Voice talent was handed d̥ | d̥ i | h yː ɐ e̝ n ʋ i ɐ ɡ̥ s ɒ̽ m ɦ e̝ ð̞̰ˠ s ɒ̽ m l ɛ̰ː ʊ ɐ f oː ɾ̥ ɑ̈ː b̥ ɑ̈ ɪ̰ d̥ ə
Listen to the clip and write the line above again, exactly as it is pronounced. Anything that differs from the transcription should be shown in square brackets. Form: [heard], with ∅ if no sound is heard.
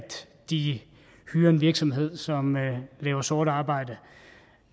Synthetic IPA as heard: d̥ | d̥ i | h yː ɐ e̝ n ʋ i ɐ ɡ̥ s ɒ̽ m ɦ e̝ ð̞̰ˠ s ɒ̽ m l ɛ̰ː ʊ ɐ [s] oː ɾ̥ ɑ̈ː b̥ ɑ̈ ɪ̰ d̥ ə

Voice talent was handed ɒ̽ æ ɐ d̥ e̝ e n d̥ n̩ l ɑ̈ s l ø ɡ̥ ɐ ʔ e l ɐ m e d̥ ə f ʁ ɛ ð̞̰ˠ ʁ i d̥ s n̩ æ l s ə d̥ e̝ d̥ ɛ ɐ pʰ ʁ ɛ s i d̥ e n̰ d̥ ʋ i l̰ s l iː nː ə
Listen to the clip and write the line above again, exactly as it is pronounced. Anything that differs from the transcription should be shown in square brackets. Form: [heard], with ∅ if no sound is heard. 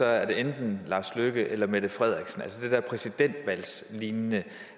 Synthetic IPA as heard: ɒ̽ æ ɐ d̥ e̝ e n d̥ n̩ l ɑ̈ s l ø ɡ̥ [ə] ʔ e l ɐ m e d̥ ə f ʁ ɛ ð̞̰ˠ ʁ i [ɡ̥] s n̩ æ l s ə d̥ e̝ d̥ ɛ ɐ pʰ ʁ ɛ s i d̥ e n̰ d̥ ʋ [æ] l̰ s l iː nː ə

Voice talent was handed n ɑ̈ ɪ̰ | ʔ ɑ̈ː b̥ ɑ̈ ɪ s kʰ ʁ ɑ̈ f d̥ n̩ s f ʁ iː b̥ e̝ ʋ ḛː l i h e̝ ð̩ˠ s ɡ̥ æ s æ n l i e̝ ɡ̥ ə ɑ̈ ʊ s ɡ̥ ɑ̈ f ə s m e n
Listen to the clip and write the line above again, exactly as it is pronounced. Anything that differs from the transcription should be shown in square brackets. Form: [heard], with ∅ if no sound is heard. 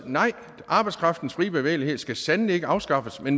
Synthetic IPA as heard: n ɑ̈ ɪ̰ | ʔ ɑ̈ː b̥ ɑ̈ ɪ s kʰ ʁ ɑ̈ f d̥ n̩ s f ʁ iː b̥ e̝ ʋ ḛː l i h e̝ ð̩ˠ s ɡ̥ æ s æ n l i e̝ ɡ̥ ə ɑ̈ ʊ s ɡ̥ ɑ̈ f ə s m e n

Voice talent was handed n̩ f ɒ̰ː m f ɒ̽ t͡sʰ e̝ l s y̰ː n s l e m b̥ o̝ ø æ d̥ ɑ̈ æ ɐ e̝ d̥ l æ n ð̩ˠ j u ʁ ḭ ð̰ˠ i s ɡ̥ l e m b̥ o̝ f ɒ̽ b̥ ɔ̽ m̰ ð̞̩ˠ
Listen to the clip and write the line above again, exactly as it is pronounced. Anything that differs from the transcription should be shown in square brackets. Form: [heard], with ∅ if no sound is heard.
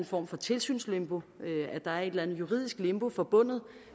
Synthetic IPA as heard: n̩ f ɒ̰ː m f ɒ̽ t͡sʰ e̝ l s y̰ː n s l e m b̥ o̝ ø æ d̥ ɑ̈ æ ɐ e̝ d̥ l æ n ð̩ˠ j u ʁ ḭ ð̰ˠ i s ɡ̥ l e m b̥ o̝ f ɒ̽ b̥ ɔ̽ [n̰] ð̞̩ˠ

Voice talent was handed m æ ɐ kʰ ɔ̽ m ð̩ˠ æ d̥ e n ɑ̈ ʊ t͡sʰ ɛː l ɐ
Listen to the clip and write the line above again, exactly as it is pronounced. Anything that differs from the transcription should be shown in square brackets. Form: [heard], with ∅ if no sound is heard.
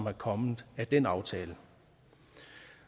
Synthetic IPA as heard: m æ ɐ kʰ [ɒ̽] m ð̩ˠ æ d̥ e n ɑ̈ ʊ t͡sʰ ɛː l [ə]

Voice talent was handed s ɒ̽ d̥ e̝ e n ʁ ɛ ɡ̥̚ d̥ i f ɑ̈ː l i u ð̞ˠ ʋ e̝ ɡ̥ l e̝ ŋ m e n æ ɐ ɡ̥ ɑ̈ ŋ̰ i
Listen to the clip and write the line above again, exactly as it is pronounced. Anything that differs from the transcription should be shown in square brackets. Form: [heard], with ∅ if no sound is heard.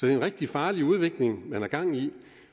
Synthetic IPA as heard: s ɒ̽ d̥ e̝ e n ʁ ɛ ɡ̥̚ d̥ i f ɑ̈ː l i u ð̞ˠ ʋ e̝ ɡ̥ l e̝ ŋ m [æ] n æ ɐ ɡ̥ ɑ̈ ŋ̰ i

